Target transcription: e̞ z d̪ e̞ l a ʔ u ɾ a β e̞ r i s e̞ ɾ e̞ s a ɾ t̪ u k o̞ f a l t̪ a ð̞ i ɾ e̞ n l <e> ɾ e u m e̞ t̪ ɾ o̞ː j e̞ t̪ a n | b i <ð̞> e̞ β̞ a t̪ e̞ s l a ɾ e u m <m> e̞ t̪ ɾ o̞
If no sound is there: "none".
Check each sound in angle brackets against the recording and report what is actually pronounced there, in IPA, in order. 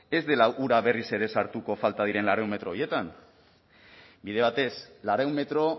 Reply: a, ð̞, m

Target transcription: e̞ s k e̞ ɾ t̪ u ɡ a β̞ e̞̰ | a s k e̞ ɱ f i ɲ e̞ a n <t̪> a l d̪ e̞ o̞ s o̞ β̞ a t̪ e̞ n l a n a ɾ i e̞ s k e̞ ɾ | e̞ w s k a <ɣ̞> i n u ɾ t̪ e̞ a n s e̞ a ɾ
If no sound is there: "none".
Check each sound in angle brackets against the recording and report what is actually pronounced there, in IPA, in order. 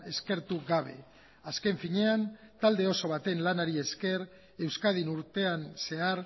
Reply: t̪, ð̞

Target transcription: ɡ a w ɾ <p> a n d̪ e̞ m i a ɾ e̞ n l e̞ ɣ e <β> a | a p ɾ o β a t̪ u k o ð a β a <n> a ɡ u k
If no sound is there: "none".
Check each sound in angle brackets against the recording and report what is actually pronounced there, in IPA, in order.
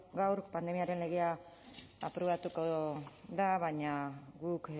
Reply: p, none, ɲ

